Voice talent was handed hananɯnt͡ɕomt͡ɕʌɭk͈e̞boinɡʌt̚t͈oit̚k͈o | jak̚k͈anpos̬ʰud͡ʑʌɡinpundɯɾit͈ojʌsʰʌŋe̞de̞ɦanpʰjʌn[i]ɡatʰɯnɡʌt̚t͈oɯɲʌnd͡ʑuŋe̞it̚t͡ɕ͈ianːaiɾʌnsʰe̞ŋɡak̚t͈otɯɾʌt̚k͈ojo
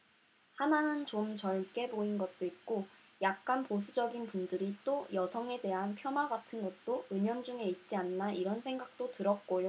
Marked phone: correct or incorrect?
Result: incorrect